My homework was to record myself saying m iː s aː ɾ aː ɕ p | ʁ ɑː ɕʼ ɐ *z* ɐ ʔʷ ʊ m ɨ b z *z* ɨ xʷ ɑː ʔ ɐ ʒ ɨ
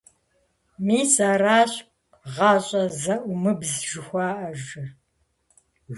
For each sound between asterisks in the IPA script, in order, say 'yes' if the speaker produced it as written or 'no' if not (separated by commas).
yes, no